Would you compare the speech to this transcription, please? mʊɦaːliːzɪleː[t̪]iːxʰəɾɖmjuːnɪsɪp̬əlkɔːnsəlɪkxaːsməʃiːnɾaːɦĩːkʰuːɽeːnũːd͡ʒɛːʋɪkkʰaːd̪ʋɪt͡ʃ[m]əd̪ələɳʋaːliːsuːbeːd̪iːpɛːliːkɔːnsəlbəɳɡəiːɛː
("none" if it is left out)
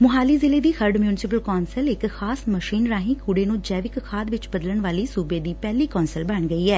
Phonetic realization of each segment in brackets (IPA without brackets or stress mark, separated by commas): d̪, b